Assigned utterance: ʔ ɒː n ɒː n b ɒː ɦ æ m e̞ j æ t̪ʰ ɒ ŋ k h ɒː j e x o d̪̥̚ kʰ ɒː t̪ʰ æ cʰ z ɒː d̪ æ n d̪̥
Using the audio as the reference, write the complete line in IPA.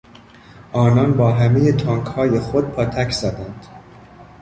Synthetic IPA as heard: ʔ ɒː n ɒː n b ɒː ɦ æ m e̞ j e t̪ʰ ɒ ŋ k h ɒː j e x o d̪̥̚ pʰ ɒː t̪ʰ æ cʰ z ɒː d̪ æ n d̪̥